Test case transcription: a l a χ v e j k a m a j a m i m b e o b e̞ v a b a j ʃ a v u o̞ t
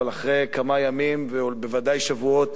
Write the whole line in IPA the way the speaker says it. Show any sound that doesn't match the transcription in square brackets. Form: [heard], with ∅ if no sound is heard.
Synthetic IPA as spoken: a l a χ [ʁ] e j k a m a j a m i m [v] e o b e̞ v a [d] a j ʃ a v u o̞ t